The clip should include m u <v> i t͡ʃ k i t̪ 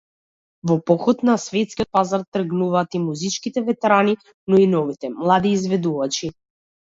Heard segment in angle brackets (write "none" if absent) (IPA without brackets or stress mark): z